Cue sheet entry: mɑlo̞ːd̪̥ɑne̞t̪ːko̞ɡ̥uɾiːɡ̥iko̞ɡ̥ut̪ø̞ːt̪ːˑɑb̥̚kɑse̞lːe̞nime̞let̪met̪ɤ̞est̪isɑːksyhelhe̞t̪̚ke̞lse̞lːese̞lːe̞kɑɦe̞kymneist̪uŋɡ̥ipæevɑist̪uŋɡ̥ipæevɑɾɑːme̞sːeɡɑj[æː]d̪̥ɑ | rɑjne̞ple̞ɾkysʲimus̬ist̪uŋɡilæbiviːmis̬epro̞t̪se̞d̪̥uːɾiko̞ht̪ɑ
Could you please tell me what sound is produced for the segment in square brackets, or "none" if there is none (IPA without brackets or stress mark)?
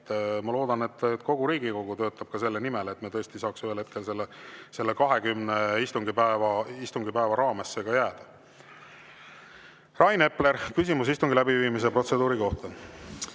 æː